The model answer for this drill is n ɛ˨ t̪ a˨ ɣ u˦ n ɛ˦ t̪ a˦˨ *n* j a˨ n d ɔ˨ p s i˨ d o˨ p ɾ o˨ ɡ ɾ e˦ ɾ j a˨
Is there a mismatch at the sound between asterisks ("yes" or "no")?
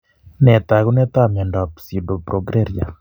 yes